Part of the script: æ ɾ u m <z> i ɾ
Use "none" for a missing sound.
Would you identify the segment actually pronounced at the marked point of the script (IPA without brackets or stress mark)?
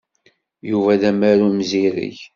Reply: z